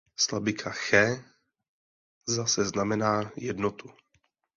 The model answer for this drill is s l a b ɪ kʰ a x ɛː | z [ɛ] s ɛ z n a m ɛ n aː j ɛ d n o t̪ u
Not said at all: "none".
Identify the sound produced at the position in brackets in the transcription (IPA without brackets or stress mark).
a